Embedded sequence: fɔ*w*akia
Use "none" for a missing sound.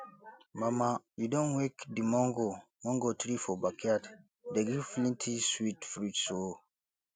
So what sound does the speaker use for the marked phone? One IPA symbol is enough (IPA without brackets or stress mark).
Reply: b